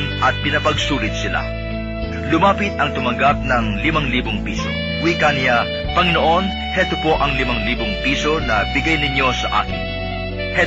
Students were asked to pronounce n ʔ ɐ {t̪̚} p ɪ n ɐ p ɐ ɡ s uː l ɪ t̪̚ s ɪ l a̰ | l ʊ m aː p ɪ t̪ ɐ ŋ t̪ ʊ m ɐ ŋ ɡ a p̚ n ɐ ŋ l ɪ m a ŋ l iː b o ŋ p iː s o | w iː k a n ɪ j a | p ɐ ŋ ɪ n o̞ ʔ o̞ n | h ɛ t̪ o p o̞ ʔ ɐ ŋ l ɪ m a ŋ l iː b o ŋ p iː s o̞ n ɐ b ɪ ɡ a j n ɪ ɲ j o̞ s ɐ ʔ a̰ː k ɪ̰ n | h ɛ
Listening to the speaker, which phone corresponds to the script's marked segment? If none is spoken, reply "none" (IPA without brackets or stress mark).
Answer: t̪̚